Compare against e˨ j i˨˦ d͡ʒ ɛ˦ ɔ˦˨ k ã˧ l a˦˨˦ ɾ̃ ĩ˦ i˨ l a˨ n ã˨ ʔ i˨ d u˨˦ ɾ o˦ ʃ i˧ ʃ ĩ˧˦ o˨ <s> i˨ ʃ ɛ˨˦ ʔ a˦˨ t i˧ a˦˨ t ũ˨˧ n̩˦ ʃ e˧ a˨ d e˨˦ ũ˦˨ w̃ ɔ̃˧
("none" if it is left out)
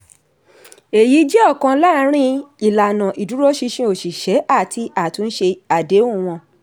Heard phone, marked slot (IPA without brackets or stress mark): ʃ